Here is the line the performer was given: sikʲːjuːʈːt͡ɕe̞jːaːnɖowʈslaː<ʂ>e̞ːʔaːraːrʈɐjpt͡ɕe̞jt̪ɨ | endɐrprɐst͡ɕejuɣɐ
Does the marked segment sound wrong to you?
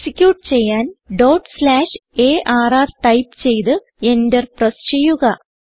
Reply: no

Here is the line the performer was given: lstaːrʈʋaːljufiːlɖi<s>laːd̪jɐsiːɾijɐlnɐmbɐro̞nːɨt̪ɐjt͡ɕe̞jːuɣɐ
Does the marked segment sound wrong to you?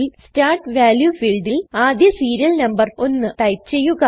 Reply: yes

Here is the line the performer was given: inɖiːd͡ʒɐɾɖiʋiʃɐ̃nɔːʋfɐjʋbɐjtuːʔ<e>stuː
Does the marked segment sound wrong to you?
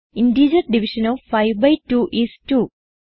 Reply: yes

